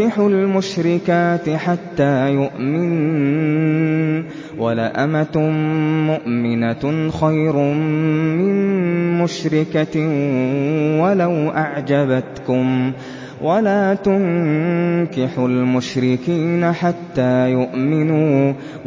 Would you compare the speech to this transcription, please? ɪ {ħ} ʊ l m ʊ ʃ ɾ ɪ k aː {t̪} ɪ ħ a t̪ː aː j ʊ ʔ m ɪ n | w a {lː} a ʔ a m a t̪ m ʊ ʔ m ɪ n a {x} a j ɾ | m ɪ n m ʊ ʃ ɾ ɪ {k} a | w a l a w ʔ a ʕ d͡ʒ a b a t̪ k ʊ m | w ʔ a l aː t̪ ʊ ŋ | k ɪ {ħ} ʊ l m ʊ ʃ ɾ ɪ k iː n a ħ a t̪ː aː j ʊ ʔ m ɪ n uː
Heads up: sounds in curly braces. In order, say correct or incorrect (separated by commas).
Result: correct, correct, incorrect, correct, correct, correct